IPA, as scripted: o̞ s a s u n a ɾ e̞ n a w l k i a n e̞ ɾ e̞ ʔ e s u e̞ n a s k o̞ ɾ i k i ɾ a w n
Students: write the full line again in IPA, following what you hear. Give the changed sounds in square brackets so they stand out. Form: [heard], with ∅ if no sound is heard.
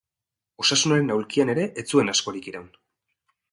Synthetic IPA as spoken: o̞ s a s u n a ɾ e̞ n a w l k i a n e̞ ɾ e̞ ʔ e [t͡s] u e̞ n a s k o̞ ɾ i k i ɾ a w n

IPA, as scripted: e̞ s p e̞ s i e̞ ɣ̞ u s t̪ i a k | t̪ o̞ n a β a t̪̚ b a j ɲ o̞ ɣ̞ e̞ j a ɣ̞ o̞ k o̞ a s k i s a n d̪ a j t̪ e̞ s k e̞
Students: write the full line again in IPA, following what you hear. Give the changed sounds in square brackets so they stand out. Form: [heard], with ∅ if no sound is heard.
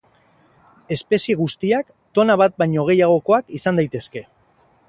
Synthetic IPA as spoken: e̞ s p e̞ s i e̞ ɣ̞ u s t̪ i a k | t̪ o̞ n a β a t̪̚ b a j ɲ o̞ ɣ̞ e̞ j a ɣ̞ o̞ k o̞ a [∅] k i s a n d̪ a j t̪ e̞ s k e̞

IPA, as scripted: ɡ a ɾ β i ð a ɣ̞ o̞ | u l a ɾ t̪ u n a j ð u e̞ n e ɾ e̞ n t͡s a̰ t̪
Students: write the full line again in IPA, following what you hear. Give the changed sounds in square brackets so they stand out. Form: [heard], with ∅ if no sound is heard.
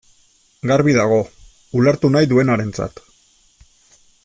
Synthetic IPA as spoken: ɡ a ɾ β i ð a ɣ̞ o̞ | u l a ɾ t̪ u n a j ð u e̞ n [a] ɾ e̞ n t͡s a̰ t̪

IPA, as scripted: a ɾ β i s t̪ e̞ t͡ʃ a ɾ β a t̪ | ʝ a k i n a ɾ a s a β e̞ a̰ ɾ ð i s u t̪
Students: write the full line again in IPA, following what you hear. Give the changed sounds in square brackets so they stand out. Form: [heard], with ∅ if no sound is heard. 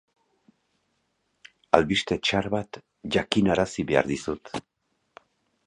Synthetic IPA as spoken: a [l] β i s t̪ e̞ t͡ʃ a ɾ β a t̪ | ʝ a k i n a ɾ a s [i] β e̞ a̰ ɾ ð i s u t̪

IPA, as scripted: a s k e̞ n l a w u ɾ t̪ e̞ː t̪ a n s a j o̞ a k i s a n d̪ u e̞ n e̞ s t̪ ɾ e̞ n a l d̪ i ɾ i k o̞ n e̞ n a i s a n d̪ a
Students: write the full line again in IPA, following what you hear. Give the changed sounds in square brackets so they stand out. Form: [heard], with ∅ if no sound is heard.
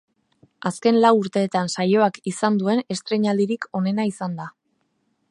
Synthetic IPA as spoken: a s k e̞ n l a w u ɾ t̪ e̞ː t̪ a n s a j o̞ a k i s a n d̪ u e̞ n e̞ s t̪ ɾ e̞ [ɲ] a l d̪ i ɾ i k o̞ n e̞ n a i s a n d̪ a

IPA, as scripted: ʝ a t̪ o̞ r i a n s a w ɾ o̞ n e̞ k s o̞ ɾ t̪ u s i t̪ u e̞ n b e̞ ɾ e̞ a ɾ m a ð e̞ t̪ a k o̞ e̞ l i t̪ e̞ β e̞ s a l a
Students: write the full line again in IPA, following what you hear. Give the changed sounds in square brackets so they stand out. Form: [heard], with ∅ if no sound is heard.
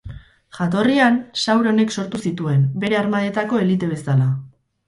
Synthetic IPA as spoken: ʝ a t̪ o̞ r i a n s a w ɾ o̞ n e̞ k s o̞ ɾ t̪ u s i t̪ u e̞ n b e̞ ɾ e̞ a ɾ m a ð e̞ t̪ a k o̞ e̞ l i t̪ e̞ β e̞ s a l a

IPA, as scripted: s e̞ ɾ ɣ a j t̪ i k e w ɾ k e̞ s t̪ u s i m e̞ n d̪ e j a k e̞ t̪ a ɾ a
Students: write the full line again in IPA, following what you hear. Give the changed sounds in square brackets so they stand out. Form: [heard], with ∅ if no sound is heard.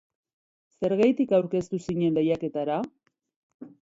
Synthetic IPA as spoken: s e̞ ɾ ɣ a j t̪ i k [a] w ɾ k e̞ s t̪ u s i [ɲ] e̞ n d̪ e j a k e̞ t̪ a ɾ a

